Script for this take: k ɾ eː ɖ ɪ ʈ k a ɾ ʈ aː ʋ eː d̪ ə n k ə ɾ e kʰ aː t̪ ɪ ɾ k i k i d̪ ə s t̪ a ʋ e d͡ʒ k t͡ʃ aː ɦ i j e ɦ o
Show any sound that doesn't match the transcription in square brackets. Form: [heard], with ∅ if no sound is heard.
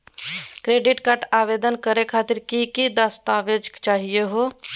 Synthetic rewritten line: k ɾ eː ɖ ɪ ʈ k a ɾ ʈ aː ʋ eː d̪ ə n k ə ɾ e kʰ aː t̪ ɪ ɾ k i k i d̪ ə s t̪ a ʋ e d͡ʒ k t͡ʃ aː ɦ i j e ɦ o